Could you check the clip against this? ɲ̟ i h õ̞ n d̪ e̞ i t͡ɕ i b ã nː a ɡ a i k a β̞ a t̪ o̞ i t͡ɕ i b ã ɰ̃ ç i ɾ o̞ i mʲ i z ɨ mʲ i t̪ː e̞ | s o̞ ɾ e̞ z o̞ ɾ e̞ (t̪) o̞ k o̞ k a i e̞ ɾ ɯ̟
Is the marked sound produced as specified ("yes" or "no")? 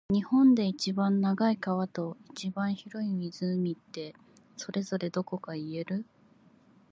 no